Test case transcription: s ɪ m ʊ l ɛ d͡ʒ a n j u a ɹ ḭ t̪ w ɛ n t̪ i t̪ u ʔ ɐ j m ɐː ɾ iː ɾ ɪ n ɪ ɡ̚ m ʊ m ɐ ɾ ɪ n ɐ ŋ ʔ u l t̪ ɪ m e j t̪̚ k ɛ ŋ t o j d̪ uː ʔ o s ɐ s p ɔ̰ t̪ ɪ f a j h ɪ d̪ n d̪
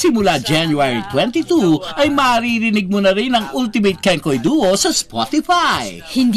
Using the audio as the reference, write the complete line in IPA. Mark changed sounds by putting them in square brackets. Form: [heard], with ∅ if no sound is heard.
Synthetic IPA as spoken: s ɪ m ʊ l [a] d͡ʒ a n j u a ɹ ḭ t̪ w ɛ n t̪ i t̪ u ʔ ɐ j m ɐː ɾ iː ɾ ɪ n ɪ ɡ̚ m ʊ [n] ɐ ɾ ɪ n ɐ ŋ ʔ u l t̪ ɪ m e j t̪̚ k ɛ ŋ [k] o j d̪ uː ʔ o s ɐ s p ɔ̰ t̪ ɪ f a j h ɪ [∅] n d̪